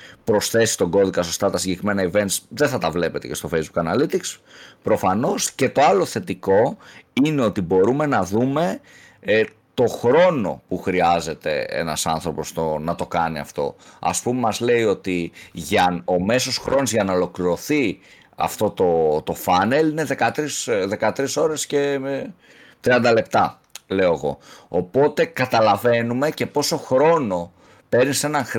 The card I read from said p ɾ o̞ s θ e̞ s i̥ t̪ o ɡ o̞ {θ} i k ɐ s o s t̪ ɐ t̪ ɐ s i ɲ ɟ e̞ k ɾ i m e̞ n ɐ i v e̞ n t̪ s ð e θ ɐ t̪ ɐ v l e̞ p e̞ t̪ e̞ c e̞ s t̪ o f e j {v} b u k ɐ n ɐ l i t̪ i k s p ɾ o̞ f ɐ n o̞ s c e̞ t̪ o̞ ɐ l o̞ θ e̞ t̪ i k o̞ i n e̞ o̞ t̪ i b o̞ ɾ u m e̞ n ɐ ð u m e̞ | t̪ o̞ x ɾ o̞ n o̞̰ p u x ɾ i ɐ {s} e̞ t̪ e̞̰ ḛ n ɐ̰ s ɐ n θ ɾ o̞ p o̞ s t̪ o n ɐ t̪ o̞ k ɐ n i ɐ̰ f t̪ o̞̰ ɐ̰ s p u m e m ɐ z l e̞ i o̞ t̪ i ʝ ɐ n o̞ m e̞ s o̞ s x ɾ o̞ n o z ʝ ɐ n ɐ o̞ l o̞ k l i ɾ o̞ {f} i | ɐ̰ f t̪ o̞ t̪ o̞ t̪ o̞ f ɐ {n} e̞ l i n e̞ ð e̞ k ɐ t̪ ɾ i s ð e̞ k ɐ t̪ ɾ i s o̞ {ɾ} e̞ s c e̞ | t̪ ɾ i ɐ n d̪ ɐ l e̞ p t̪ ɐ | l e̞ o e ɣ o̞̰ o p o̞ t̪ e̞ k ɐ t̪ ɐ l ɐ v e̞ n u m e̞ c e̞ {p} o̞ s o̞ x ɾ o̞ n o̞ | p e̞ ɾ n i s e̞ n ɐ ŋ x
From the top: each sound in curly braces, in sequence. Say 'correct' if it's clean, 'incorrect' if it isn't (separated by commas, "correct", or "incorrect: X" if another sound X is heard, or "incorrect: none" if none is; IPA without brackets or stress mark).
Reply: incorrect: ð, incorrect: z, incorrect: z, incorrect: θ, correct, correct, correct